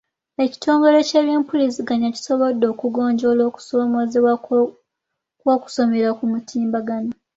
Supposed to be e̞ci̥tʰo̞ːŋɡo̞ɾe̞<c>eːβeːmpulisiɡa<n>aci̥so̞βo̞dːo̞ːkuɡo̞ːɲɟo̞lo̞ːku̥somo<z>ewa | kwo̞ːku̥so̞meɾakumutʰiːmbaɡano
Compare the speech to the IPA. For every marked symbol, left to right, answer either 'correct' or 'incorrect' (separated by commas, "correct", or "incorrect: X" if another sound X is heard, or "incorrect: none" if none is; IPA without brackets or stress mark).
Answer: correct, incorrect: ɲ, correct